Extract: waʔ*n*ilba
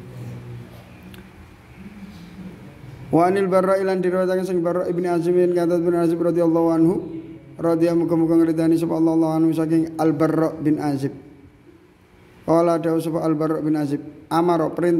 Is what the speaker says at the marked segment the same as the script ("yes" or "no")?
yes